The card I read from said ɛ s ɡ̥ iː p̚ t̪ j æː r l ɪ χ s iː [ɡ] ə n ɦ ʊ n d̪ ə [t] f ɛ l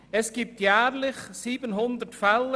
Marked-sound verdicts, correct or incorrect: incorrect: b, correct

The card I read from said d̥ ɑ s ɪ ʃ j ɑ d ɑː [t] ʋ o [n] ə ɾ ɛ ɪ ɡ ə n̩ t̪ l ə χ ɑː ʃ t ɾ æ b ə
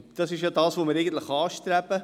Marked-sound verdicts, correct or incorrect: incorrect: s, incorrect: m

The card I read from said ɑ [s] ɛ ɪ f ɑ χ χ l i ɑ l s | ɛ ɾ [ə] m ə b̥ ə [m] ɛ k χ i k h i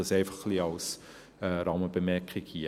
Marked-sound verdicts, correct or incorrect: correct, incorrect: ɑ, correct

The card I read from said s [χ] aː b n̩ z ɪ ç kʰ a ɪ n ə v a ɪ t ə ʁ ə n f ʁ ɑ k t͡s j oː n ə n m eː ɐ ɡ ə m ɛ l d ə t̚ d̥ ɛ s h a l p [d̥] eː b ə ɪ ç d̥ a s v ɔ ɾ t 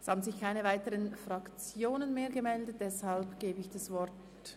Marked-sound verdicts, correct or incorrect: incorrect: h, incorrect: ɡ̥

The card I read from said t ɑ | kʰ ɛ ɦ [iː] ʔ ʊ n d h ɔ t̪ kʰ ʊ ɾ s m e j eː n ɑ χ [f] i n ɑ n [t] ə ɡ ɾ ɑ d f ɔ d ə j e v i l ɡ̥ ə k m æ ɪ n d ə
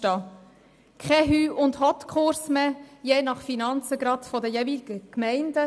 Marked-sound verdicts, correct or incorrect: incorrect: yː, correct, incorrect: t͡s

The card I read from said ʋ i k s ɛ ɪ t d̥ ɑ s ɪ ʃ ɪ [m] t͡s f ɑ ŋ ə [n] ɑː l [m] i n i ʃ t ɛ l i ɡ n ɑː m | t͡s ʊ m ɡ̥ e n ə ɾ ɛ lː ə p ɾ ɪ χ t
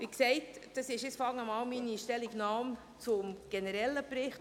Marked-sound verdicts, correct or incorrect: incorrect: none, incorrect: m, correct

